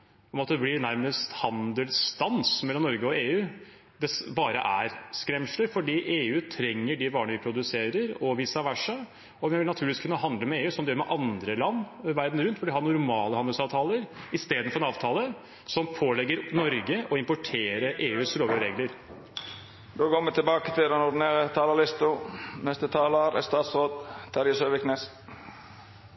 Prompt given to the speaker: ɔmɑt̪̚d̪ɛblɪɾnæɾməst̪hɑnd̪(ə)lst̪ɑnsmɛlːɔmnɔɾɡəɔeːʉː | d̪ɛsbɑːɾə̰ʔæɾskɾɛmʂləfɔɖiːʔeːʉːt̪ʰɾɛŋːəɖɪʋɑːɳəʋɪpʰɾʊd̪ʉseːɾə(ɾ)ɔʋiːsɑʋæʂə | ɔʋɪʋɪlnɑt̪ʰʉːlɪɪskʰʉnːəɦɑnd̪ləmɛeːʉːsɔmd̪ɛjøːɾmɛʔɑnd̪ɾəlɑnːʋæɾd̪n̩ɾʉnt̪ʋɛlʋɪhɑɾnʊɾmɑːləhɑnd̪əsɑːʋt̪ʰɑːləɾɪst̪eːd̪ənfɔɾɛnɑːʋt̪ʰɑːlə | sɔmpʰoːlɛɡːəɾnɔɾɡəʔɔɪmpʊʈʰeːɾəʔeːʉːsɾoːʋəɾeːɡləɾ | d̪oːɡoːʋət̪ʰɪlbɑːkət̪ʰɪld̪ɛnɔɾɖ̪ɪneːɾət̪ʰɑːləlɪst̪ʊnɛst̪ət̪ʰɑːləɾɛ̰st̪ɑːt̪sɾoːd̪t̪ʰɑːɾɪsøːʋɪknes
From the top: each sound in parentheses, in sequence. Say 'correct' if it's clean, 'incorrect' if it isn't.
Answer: correct, correct

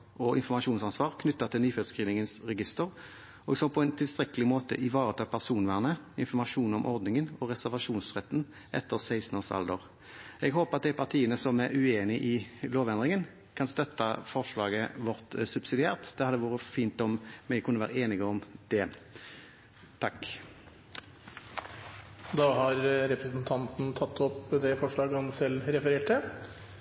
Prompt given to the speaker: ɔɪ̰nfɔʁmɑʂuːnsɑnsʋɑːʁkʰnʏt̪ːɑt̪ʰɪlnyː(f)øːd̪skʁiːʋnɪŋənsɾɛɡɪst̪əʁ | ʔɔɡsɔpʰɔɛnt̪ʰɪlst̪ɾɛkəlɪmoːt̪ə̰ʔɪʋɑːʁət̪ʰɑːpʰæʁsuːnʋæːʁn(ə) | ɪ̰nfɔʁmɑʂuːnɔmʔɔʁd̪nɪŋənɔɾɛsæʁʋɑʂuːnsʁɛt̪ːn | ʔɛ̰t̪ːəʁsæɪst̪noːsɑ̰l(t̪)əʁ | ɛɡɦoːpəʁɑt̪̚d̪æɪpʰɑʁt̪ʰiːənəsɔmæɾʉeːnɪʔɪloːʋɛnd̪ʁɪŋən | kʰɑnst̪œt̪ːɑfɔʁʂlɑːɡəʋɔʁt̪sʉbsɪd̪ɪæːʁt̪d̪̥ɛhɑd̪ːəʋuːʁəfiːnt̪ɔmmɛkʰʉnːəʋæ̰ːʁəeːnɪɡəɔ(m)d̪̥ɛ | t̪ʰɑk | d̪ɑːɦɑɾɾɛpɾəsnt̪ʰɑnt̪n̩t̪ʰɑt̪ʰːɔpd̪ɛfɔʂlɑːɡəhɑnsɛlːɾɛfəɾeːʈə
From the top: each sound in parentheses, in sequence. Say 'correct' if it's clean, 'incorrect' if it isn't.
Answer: correct, correct, incorrect: d̪, correct

